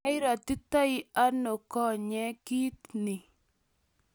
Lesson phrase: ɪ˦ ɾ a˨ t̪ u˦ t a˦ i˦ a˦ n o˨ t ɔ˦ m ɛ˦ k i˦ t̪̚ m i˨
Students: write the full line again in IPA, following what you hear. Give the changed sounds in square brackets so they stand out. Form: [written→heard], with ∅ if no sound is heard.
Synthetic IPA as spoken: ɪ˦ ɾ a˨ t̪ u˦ t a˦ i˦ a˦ n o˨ [t→k] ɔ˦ [m→ɲ] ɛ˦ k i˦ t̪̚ [m→n] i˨